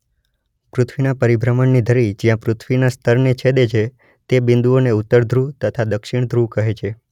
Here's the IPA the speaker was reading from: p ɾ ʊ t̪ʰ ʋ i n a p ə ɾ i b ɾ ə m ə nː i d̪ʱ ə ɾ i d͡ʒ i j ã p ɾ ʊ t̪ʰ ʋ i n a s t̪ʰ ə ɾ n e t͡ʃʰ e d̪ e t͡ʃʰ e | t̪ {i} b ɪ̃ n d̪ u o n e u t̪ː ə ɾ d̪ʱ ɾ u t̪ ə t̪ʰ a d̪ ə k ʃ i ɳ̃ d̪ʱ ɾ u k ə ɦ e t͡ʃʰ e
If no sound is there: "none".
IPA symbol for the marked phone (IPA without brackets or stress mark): e